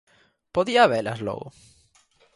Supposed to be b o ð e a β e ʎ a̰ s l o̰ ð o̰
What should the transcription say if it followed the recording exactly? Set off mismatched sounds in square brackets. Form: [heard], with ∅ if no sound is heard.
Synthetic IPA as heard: [p] o ð [i] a β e [l] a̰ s l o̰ [ɣ] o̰